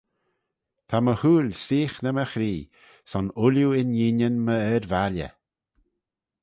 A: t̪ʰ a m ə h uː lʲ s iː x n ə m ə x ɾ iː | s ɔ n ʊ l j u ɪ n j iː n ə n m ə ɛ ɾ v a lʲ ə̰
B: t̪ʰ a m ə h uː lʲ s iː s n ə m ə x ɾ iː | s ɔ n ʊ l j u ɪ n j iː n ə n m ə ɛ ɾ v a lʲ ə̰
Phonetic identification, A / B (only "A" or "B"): A